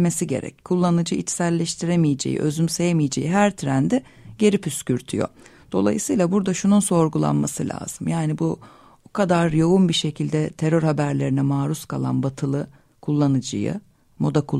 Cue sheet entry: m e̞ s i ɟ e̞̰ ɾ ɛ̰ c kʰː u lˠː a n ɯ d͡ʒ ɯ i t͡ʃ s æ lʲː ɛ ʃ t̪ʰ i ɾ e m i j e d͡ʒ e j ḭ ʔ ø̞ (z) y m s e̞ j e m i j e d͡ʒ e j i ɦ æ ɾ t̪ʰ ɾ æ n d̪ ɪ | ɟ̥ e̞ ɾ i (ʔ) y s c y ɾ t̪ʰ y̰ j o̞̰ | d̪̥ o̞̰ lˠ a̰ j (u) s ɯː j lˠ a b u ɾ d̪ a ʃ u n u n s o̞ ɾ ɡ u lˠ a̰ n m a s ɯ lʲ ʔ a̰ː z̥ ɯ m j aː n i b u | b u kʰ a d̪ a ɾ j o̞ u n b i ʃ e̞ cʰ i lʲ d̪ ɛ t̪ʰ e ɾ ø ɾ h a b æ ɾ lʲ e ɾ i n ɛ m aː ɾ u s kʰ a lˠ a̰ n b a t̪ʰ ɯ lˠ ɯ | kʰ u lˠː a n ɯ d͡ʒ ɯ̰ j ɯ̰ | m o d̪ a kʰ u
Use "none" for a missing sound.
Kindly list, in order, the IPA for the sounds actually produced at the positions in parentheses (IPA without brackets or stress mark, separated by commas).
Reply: z, p, ɯ